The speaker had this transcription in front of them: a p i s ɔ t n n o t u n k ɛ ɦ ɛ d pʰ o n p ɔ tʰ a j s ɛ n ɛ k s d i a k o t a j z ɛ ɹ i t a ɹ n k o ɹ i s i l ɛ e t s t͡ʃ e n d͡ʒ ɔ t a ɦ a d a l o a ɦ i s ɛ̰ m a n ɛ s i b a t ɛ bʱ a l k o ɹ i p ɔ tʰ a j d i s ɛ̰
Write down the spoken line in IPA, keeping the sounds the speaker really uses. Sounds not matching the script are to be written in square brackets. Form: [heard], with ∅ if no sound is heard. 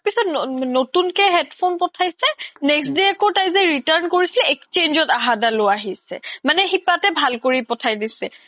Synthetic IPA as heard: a p i s ɔ t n n o t u n k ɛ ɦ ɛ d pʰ o n p ɔ tʰ a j s ɛ n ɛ k s d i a k o t a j z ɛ ɹ i t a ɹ n k o ɹ i s i l ɛ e [k] s t͡ʃ e n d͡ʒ ɔ t a ɦ a d a l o a ɦ i s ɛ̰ m a n ɛ [x] i [p] a t ɛ bʱ a l k o ɹ i p ɔ tʰ a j d i s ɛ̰